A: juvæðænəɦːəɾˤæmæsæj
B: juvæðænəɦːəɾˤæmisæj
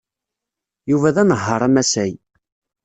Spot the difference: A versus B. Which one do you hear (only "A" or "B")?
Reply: A